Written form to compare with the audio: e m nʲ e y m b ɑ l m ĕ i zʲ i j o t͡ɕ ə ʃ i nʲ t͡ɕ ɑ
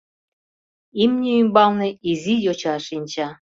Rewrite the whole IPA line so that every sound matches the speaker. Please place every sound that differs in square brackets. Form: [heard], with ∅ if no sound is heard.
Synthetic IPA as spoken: [i] m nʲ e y m b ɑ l [n] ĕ i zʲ i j o t͡ɕ [ɑ] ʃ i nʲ t͡ɕ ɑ